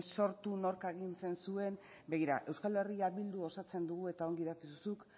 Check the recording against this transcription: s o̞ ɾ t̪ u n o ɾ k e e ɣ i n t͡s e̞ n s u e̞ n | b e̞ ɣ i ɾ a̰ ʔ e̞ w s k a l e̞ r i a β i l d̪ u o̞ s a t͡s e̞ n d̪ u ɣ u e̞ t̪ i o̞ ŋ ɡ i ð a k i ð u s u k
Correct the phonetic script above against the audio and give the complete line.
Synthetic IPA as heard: s o̞ ɾ t̪ u n o ɾ k a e ɣ i n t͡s e̞ n s u e̞ n | b e̞ ɣ i ɾ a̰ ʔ e̞ w s k a l e̞ r i a β i l d̪ u o̞ s a t͡s e̞ n d̪ u ɣ u e̞ t̪ a o̞ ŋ ɡ i ð a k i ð u s u k